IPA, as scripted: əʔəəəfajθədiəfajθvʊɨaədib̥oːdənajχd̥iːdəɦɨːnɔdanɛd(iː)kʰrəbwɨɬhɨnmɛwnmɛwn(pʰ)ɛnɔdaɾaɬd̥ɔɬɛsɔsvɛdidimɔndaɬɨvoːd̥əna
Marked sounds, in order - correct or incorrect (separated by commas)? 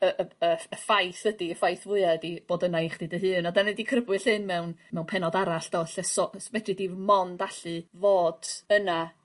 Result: incorrect, correct